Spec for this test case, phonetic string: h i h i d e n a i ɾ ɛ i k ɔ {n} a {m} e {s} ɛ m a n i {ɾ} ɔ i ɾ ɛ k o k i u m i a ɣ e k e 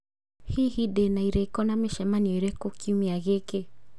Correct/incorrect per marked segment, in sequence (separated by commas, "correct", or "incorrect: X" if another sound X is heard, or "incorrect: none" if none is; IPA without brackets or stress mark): correct, correct, incorrect: ʃ, incorrect: none